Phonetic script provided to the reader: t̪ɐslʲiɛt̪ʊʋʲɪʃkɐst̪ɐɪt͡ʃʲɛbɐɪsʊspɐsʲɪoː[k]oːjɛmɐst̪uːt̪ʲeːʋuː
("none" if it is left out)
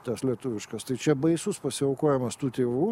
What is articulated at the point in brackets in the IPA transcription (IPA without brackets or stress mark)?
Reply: k